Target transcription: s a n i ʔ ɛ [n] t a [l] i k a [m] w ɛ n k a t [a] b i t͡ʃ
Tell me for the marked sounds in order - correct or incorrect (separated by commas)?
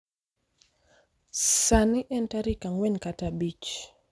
correct, incorrect, incorrect, correct